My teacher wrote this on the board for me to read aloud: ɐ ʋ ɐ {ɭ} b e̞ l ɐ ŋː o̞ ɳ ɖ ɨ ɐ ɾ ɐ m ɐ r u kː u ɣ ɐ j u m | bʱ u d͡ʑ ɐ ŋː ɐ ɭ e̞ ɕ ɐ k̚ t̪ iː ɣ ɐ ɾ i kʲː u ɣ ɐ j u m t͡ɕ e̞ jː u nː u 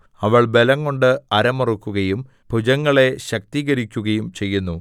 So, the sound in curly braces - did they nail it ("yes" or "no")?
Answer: yes